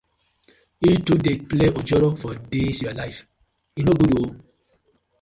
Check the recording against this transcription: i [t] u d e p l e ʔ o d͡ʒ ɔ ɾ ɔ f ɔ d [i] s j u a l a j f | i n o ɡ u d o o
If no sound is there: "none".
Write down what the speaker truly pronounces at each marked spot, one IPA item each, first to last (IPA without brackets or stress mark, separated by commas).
t, e